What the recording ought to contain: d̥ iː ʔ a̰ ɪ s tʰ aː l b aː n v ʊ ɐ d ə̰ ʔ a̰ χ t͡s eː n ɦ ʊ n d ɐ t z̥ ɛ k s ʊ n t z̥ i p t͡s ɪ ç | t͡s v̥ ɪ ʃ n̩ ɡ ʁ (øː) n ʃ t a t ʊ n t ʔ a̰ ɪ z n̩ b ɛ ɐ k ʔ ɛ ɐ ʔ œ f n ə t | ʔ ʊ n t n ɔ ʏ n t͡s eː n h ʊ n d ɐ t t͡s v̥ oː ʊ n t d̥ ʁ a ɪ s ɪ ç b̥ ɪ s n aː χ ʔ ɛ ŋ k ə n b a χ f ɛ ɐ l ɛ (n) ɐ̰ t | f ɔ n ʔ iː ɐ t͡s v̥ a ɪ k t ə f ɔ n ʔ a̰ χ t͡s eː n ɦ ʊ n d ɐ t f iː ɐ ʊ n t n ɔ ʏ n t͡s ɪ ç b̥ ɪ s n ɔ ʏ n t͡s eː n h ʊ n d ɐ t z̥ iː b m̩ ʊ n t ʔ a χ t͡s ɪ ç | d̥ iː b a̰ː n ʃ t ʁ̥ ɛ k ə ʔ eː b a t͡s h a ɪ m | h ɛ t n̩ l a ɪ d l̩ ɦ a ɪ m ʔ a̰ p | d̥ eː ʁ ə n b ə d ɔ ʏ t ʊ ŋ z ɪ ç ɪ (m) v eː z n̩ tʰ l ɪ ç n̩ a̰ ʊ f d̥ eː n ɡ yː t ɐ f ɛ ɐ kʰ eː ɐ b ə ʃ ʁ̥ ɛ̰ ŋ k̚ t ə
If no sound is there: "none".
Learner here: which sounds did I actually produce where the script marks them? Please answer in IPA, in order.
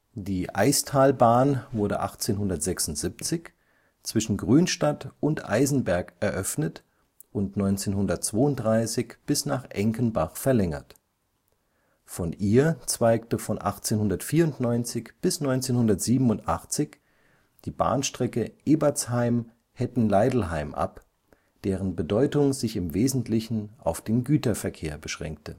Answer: yː, ŋ, m

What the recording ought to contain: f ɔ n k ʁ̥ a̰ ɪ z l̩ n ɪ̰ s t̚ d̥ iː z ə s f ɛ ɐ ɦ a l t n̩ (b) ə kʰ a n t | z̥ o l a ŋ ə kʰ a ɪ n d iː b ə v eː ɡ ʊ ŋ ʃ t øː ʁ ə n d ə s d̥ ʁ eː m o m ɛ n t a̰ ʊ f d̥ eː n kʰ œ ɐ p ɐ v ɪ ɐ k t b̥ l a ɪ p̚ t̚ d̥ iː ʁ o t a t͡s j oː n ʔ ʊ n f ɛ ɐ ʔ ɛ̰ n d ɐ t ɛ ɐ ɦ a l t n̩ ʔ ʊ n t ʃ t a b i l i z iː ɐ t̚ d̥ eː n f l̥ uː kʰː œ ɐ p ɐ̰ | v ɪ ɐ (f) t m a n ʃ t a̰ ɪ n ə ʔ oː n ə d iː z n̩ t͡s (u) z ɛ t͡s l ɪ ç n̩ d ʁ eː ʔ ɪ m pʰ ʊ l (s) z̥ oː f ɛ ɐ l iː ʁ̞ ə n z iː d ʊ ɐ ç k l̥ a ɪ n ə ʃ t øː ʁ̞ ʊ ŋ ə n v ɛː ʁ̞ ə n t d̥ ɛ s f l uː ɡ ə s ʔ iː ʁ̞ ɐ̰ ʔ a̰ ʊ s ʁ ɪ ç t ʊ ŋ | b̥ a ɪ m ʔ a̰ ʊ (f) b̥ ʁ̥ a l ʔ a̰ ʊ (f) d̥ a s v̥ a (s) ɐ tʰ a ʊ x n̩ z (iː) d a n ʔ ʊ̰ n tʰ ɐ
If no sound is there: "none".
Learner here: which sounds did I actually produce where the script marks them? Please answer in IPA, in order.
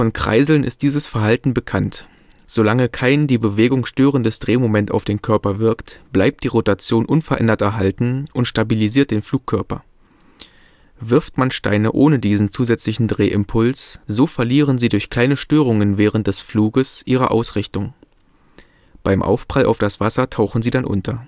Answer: b, f, uː, s, f, f, s, iː

